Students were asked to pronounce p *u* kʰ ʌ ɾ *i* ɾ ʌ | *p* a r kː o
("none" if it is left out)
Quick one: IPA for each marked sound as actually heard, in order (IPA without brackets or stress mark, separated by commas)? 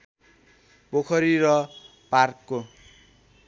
o, i, p